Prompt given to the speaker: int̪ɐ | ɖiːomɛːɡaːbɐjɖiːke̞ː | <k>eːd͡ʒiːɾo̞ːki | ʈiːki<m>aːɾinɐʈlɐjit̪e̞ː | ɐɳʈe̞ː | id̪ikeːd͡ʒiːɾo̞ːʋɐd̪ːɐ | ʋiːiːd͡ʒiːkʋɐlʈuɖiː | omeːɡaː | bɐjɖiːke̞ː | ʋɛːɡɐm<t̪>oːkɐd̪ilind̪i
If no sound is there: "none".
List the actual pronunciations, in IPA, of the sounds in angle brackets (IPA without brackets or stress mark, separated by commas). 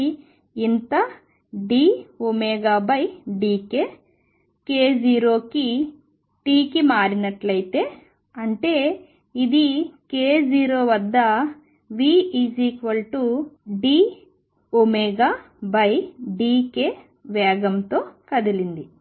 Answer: k, m, t̪